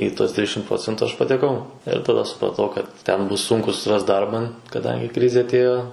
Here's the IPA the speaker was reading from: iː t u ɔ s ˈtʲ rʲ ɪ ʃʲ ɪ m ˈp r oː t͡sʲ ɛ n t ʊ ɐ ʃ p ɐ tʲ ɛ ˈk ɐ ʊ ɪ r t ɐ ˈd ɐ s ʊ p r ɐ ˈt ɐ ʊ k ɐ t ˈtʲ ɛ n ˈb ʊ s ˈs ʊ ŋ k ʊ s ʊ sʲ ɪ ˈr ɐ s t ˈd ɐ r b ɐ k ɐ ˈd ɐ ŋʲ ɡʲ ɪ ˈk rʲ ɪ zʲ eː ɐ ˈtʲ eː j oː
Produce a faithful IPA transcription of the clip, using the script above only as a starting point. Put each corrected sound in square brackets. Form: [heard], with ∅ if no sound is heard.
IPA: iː t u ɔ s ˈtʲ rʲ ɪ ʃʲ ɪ m ˈp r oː t͡sʲ ɛ n t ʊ ɐ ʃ p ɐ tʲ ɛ ˈk ɐ ʊ ɪ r t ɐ ˈd ɐ s ʊ p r ɐ ˈt ɐ ʊ k ɐ t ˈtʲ ɛ n ˈb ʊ s ˈs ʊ ŋ k ʊ s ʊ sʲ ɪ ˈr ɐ s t ˈd ɐ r b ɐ k ɐ ˈd ɐ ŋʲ ɡʲ ɪ ˈk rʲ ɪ zʲ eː ɐ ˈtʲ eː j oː